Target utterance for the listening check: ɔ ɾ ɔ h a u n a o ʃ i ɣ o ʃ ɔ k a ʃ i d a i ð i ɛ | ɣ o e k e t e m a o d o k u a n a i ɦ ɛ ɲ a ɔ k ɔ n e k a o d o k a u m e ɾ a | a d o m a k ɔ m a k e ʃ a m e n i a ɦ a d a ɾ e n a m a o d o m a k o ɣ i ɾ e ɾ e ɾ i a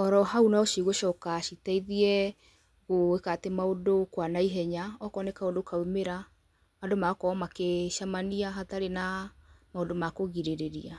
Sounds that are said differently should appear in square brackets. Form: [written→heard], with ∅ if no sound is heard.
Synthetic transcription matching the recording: ɔ ɾ ɔ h a u n a o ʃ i ɣ o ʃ ɔ k a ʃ i [d→t] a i ð i ɛ | ɣ o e k [e→a] t e m a o d o k [u→w] a n a i ɦ ɛ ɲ a ɔ k ɔ n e k a o d o k a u m e ɾ a | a d o m a k ɔ m a k e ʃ a m [e→a] n i a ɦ a [d→t] a ɾ e n a m a o d o m a k o ɣ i ɾ e ɾ e ɾ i a